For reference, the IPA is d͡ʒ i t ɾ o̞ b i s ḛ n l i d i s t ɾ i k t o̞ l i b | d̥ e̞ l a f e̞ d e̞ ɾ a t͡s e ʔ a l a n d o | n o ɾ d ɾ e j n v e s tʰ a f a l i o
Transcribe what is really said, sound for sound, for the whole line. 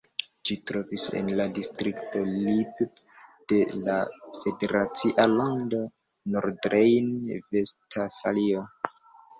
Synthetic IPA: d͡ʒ i t ɾ o̞ v i s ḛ n l a d i s t ɾ i k t o̞ l i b | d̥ e̞ l a f e̞ d e̞ ɾ a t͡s i ʔ a l a n d o | n o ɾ d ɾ e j n v e s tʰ a f a l i o